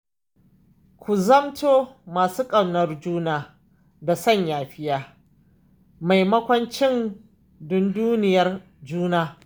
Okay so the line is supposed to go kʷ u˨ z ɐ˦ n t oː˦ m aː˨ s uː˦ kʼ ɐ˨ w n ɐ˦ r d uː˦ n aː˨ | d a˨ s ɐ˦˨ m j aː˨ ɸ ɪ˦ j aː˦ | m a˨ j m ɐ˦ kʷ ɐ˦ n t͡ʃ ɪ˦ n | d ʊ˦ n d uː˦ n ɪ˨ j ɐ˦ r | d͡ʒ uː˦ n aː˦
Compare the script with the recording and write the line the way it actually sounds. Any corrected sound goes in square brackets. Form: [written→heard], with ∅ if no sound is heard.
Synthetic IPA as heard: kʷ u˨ z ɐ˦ [n→m] t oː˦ m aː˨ s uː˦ kʼ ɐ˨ w n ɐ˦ r [d→d͡ʒ] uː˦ n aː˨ | d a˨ s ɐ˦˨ [m→ɲ] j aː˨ ɸ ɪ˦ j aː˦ | m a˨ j m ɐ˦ kʷ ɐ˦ n t͡ʃ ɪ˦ n | d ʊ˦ n d uː˦ n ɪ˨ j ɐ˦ r | d͡ʒ uː˦ n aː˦